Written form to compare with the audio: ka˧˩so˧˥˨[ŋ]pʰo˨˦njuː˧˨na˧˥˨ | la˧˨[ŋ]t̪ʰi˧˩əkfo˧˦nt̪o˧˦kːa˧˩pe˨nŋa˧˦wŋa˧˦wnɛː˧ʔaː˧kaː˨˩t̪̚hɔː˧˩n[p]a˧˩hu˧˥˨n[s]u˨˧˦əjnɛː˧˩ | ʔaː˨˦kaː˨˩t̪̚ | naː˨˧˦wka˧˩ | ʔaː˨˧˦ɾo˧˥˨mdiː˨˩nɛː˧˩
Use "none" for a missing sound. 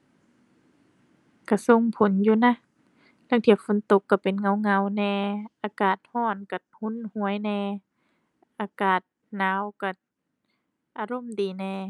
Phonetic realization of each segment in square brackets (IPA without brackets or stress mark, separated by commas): ŋ, ŋ, k, h